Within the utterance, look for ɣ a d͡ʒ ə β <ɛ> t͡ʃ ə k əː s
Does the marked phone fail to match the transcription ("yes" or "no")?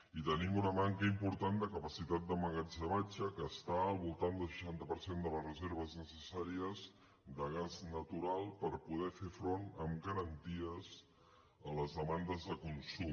yes